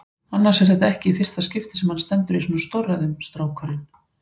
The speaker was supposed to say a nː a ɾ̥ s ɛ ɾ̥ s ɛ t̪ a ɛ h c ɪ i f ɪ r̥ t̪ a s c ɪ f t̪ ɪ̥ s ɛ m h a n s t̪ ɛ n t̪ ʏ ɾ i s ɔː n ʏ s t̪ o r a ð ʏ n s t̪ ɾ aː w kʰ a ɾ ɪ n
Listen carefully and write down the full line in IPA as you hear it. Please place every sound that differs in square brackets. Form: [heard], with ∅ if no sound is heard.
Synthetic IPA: a nː a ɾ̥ s ɛ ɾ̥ [θ] ɛ t̪ a ɛ h c ɪ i f ɪ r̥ t̪ a s c ɪ f t̪ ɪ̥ s ɛ m h a n s t̪ ɛ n t̪ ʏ ɾ i s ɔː n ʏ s t̪ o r a ð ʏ [m] s t̪ ɾ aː w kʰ a ɾ ɪ n